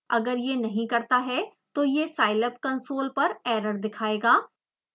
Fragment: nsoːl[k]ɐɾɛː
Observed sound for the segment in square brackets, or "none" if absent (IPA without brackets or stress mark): p